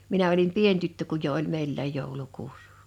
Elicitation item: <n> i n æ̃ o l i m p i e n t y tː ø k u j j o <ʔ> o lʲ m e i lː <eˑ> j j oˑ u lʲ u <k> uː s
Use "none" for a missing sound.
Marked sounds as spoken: m, ʔ, æˑ, k

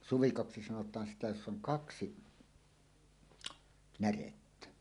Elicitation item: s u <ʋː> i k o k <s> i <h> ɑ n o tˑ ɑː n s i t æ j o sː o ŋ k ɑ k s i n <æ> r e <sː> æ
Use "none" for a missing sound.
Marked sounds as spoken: ʋ, s, s, æ, tː

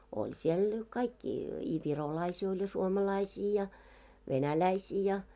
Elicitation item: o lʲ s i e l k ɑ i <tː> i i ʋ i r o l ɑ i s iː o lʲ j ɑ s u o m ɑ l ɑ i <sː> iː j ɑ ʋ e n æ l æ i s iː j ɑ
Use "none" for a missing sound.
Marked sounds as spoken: kː, s

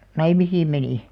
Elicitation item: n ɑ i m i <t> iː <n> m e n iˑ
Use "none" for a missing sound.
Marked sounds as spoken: s, m

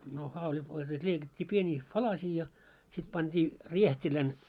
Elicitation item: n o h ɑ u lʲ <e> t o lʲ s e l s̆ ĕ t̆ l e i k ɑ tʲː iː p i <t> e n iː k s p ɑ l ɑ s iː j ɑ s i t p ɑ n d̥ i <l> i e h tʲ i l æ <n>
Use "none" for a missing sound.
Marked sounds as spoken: i, none, r, n

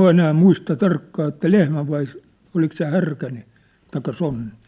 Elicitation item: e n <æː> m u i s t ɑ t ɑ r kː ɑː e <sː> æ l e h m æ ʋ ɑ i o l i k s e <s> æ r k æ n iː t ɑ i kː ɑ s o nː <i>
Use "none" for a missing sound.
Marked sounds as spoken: æː, tː, h, i

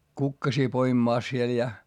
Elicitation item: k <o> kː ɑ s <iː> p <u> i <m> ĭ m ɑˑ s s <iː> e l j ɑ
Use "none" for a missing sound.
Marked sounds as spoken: u, iː, o, m, i

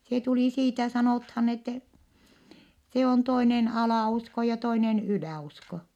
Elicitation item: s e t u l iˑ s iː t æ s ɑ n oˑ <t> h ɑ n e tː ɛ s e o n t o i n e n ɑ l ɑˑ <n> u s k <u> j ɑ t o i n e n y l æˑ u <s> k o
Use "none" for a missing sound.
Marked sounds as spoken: t, none, o, s

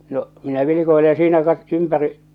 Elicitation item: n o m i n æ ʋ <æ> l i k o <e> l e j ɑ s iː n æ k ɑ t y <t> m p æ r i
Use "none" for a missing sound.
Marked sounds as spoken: i, i, none

